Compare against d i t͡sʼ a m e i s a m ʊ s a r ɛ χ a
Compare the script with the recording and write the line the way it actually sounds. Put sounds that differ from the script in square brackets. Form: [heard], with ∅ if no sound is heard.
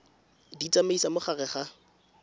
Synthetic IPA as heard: d i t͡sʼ a m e i s a m ʊ [χ] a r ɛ χ a